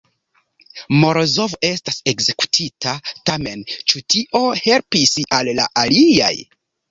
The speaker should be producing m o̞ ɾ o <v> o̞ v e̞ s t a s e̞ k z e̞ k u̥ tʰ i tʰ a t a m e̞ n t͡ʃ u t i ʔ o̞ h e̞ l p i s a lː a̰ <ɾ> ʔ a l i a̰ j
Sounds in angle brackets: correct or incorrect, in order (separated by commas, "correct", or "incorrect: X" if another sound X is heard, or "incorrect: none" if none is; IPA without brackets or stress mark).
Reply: incorrect: z, incorrect: none